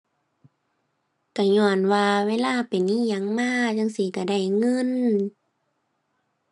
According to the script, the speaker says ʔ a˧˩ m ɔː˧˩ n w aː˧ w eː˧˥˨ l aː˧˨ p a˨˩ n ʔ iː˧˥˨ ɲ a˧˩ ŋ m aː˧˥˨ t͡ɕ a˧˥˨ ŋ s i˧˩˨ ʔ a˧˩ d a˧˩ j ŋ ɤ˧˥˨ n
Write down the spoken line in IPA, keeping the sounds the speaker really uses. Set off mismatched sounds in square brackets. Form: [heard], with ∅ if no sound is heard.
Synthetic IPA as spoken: [k] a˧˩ [ɲ] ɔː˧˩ n w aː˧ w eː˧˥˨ l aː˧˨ p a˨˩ n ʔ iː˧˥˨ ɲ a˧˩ ŋ m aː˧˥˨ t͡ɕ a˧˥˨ ŋ s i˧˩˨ [k] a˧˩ d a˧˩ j ŋ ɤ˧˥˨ n